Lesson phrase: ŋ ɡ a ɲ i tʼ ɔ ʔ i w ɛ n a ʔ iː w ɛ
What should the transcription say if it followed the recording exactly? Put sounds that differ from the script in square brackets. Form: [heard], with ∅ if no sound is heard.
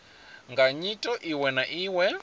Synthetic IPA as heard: ŋ ɡ a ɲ i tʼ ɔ ʔ i w ɛ n a ʔ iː w ɛ